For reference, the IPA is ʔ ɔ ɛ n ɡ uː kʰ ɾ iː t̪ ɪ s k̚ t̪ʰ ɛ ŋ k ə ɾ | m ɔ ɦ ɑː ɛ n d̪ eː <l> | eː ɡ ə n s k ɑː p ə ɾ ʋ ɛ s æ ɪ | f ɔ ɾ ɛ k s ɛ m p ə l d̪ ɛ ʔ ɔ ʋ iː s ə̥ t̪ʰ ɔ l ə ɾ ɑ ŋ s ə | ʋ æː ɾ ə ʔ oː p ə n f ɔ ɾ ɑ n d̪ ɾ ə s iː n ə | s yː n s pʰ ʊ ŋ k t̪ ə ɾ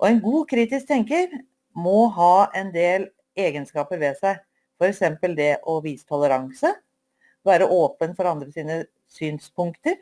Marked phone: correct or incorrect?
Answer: correct